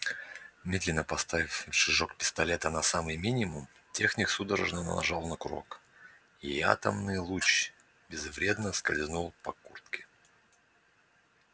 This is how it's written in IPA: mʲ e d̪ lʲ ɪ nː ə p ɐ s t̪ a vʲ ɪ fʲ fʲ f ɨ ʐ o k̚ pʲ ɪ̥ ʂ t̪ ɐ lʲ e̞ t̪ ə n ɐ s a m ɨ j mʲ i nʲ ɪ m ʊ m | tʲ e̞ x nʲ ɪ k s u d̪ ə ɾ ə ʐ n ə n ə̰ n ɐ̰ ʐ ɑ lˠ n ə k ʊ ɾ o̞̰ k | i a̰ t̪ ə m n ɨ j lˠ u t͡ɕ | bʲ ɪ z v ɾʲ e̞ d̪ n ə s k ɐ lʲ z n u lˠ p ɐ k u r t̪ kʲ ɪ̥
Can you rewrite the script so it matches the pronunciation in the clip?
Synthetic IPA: mʲ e d̪ lʲ ɪ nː ə p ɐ s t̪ a vʲ ɪ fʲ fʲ ʂ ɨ ʐ o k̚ pʲ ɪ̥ s t̪ ɐ lʲ e̞ t̪ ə n ɐ s a m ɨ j mʲ i nʲ ɪ m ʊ m | tʲ e̞ x nʲ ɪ k s u d̪ ə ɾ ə ʐ n ə n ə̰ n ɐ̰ ʐ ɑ lˠ n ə k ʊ ɾ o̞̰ k | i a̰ t̪ ə m n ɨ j lˠ u t͡ɕ | bʲ ɪ z v ɾʲ e̞ d̪ n ə s k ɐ lʲ z n u lˠ p ɐ k u r t̪ kʲ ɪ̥